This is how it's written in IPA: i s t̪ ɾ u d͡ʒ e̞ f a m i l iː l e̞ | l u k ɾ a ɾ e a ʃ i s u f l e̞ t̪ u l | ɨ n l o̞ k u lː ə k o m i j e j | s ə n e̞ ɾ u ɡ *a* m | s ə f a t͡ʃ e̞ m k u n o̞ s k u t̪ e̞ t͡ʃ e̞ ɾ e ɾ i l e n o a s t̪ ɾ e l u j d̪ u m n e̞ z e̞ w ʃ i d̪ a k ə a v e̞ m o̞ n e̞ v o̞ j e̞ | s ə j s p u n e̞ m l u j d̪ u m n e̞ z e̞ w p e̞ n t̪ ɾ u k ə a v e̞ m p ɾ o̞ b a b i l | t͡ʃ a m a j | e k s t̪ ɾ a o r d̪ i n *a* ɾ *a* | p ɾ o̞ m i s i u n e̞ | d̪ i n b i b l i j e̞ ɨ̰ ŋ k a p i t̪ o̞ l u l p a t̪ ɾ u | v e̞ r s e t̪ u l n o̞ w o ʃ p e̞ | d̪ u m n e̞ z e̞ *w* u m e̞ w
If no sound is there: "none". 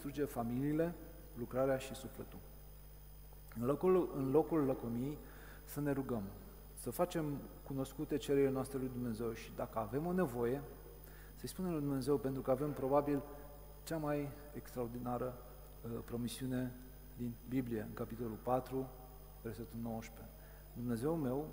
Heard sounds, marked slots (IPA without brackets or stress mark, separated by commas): ə, a, ə, w